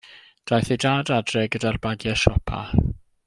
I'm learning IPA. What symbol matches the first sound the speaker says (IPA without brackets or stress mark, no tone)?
d̥